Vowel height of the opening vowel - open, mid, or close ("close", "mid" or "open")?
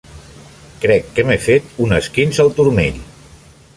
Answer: mid